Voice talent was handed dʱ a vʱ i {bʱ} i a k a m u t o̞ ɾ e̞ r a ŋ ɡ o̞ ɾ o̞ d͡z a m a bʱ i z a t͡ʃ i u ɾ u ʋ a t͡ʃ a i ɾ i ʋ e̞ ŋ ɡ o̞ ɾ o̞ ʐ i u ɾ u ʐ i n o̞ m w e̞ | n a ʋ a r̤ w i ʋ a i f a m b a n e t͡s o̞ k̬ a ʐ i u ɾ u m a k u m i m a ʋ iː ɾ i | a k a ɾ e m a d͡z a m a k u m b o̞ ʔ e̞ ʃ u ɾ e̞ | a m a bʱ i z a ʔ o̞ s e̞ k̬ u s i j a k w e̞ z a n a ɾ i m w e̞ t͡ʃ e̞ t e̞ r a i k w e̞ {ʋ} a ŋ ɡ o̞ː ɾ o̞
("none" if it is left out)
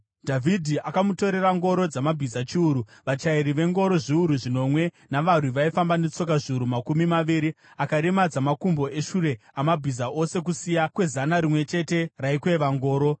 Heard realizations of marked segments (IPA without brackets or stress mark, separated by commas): dʱ, ʋ